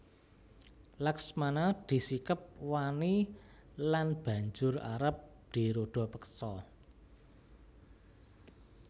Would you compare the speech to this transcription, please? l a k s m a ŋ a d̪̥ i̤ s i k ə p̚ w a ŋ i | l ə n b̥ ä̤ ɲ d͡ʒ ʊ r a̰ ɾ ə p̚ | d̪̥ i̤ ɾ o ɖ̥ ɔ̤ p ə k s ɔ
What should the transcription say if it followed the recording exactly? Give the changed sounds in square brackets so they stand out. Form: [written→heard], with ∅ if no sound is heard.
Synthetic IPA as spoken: l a k s m a [ŋ→n] a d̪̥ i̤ s i k ə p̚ w a [ŋ→n] i | l [ə→a] n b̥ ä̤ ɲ d͡ʒ ʊ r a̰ ɾ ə p̚ | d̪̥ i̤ ɾ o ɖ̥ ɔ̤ p ə k s ɔ